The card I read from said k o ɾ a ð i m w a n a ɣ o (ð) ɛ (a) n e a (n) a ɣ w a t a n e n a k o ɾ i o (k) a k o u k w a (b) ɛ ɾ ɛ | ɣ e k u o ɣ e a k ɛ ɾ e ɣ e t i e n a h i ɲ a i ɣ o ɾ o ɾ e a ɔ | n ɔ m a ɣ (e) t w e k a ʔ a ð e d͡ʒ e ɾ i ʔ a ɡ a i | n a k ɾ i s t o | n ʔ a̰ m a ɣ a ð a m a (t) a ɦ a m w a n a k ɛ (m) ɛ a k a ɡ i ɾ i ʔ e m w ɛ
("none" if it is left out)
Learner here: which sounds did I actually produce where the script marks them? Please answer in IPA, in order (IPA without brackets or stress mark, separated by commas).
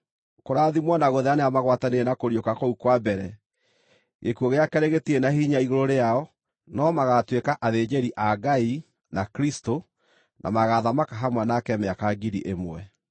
ð, a, m, k, b, a, k, m